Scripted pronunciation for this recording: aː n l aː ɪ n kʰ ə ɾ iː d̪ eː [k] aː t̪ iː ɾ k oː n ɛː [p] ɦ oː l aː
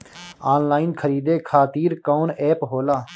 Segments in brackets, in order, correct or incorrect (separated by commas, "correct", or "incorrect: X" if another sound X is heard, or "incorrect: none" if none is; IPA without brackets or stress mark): incorrect: kʰ, correct